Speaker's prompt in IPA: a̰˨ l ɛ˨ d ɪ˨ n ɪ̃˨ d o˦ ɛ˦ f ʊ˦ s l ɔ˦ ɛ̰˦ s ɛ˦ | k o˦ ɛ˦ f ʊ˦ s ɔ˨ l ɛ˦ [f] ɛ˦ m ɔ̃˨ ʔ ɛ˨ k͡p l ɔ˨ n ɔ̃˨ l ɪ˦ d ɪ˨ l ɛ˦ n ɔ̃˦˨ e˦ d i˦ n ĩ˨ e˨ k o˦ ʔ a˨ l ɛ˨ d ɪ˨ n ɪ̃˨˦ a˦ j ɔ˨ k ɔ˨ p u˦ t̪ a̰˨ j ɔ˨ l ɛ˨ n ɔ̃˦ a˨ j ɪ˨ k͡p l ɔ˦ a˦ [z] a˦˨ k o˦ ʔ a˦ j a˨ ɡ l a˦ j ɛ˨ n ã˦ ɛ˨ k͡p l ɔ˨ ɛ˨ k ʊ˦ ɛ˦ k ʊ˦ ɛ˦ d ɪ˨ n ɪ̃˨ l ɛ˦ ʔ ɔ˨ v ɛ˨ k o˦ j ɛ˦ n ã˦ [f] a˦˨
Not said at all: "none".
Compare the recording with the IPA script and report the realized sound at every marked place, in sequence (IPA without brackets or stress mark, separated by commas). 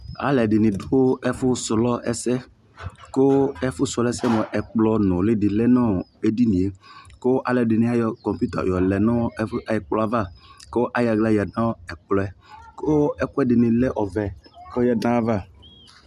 s, v, v